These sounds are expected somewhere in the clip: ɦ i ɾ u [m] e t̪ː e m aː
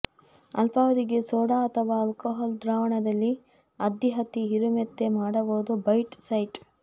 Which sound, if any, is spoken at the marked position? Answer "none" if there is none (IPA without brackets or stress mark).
m